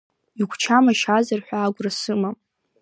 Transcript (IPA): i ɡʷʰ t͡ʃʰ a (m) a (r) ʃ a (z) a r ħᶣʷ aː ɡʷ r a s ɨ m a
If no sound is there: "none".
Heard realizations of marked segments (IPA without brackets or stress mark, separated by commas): m, none, z